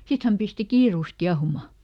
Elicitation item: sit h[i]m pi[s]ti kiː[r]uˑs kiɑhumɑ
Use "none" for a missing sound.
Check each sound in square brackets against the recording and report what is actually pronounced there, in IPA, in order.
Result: æ, s, r

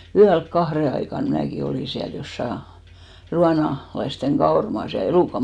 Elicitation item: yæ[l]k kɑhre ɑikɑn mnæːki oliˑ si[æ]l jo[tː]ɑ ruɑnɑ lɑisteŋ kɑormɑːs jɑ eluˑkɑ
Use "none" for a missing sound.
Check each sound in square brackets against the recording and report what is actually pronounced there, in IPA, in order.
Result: l, æ, sː

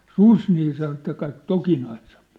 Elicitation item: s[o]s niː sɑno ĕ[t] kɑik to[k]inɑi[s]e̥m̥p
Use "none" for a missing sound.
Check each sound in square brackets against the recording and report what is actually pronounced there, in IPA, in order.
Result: u, t, k, s

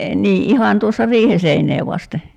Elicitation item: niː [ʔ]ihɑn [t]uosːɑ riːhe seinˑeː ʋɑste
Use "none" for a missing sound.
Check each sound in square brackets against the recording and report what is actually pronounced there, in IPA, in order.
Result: ʔ, t

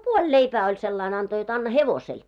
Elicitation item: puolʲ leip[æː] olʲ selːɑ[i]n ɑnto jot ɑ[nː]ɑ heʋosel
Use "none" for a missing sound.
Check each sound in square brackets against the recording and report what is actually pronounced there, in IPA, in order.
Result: æː, i, nː

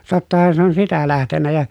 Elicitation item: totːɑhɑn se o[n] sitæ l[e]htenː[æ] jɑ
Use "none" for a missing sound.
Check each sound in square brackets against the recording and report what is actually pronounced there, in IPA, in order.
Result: n, æ, æ

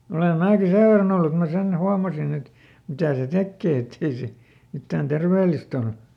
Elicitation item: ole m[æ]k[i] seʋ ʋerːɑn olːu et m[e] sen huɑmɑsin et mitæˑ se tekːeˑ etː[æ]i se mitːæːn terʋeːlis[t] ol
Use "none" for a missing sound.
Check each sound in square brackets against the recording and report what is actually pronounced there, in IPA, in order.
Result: æː, i, æ, e, t

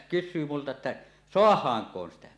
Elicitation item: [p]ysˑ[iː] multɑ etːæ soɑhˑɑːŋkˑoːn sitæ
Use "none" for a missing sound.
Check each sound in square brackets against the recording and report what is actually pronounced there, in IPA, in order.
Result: k, yː

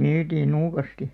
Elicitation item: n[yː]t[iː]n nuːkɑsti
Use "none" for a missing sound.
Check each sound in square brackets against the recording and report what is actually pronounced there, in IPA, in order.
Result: yː, iː

